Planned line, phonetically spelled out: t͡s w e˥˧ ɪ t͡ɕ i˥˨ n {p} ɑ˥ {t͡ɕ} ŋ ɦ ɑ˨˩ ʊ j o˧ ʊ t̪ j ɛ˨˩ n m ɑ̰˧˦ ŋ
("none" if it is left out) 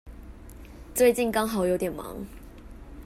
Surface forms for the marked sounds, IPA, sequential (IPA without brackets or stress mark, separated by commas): k, none